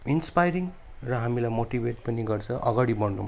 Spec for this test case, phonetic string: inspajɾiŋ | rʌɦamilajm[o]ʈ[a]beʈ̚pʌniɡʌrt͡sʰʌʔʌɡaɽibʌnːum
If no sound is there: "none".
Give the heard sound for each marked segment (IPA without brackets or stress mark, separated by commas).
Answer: o, i